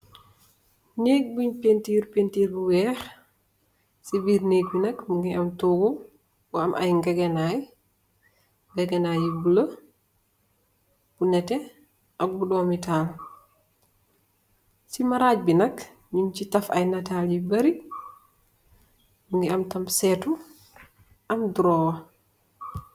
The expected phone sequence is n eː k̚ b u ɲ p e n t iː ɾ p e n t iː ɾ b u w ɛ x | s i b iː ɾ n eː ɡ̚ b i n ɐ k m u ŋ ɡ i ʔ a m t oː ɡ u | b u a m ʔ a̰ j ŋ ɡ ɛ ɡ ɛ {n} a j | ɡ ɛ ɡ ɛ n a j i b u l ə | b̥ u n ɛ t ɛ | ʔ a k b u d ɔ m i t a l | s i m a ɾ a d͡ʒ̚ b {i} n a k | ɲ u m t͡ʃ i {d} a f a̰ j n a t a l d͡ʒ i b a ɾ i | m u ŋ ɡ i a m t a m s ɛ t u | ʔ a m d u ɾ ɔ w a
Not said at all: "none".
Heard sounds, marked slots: n, i, t

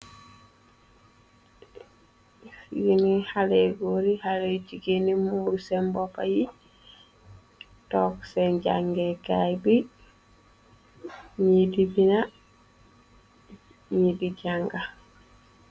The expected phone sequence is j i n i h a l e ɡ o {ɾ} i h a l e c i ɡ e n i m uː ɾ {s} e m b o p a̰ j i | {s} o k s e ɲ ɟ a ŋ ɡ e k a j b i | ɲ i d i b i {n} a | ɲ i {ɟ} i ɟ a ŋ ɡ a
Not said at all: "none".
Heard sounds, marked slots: ɾ, s, t, n, d

